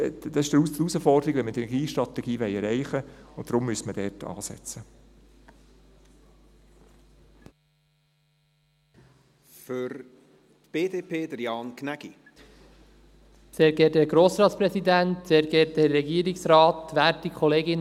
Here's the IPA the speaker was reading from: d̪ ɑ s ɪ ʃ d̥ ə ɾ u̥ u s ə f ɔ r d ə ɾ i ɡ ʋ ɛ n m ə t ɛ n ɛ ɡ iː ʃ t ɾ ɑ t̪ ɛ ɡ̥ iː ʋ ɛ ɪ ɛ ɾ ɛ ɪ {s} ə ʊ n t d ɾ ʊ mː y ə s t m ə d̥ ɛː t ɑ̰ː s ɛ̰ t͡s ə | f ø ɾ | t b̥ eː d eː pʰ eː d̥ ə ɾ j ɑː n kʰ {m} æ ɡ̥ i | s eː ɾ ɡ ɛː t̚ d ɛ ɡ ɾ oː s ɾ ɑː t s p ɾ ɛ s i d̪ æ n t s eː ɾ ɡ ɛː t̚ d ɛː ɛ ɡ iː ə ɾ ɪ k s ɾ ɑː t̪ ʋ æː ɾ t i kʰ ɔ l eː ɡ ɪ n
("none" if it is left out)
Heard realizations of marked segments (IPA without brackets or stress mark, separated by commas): χ, n